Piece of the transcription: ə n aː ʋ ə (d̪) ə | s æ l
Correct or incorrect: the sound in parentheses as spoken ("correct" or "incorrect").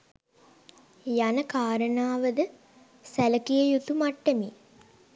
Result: correct